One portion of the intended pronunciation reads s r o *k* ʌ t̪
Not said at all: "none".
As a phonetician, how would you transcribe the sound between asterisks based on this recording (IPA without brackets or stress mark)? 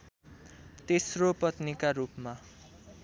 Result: p